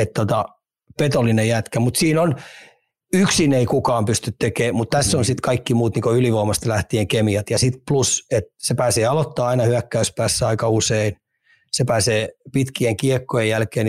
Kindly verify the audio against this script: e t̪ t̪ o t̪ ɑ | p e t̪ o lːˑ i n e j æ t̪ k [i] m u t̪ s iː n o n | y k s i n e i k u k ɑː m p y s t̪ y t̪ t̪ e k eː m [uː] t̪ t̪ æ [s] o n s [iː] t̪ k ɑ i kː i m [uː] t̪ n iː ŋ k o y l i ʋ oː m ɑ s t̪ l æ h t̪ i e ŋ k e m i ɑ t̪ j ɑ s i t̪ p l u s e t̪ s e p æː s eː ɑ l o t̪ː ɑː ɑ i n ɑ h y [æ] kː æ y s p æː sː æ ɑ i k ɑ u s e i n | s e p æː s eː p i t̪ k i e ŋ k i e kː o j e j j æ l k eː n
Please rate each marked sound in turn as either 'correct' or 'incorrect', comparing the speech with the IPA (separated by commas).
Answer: incorrect, incorrect, incorrect, incorrect, correct, correct